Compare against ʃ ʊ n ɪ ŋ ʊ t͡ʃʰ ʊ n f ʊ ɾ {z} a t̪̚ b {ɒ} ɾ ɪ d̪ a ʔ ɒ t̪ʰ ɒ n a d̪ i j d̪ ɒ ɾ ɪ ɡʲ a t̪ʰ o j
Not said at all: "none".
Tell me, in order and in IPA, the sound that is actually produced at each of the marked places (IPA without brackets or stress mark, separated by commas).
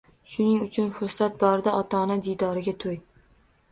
s, ɒ